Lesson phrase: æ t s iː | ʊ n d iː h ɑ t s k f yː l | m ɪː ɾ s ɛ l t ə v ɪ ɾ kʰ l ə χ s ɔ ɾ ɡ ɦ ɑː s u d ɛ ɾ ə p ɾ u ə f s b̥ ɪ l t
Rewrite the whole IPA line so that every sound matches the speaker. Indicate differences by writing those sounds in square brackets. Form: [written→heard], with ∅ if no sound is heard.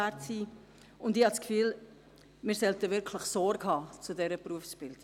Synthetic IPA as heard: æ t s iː | ʊ n d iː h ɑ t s k f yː l | m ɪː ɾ s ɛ l t ə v ɪ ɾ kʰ l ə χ s ɔ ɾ ɡ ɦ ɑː [s→t͡s] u d ɛ ɾ ə p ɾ u ə f s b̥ ɪ l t